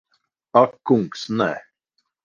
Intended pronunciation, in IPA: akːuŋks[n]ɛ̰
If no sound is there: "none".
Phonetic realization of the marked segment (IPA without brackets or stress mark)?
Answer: n